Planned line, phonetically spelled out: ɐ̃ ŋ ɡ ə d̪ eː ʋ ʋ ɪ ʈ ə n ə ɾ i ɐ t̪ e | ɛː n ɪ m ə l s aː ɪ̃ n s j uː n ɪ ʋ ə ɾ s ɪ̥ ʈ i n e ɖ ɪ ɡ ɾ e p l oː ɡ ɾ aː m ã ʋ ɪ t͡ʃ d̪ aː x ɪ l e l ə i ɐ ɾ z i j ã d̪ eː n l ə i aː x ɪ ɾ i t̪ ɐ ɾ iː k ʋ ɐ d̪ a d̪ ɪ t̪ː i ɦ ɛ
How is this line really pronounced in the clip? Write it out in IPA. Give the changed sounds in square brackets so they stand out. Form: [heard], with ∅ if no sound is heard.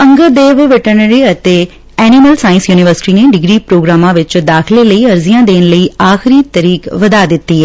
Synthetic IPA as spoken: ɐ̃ ŋ ɡ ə d̪ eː ʋ ʋ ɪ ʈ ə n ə ɾ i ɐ t̪ e | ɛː n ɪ m ə l s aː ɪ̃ n s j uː n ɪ ʋ ə ɾ s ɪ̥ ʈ i n e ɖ ɪ ɡ ɾ [i] p [ɾ] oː ɡ ɾ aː m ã ʋ ɪ t͡ʃ d̪ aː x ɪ l e l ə i ɐ ɾ z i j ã d̪ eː n l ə i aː x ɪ ɾ i t̪ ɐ ɾ iː k ʋ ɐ d̪ a d̪ ɪ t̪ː i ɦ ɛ